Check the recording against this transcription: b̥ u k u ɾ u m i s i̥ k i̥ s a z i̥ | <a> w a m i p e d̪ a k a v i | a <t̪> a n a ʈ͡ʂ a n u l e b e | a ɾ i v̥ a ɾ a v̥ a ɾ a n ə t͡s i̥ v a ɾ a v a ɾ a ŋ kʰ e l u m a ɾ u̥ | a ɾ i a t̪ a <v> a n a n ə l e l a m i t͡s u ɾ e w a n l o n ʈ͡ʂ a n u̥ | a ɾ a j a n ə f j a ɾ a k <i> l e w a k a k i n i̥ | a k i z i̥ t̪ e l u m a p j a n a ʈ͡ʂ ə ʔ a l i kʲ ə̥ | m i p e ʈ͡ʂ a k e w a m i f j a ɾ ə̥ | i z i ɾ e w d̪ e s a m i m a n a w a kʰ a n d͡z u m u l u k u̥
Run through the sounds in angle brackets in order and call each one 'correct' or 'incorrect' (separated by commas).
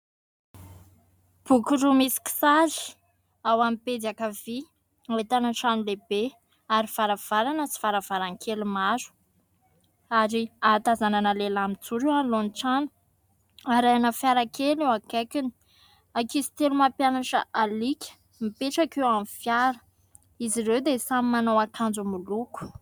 correct, correct, incorrect, incorrect